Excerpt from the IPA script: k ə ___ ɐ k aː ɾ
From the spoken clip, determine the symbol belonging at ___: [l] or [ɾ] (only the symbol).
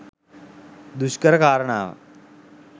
ɾ